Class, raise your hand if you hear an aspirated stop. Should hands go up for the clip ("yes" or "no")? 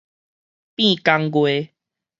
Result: no